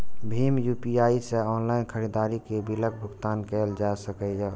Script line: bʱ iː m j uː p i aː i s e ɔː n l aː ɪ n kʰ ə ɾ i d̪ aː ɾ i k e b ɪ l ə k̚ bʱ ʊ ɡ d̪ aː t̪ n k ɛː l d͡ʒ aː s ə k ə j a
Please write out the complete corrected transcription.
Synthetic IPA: bʱ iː m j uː p i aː i s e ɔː n l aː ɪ n kʰ ə ɾ i d̪ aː ɾ i k e b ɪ l ə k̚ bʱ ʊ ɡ t̪ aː n k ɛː l d͡ʒ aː s ə k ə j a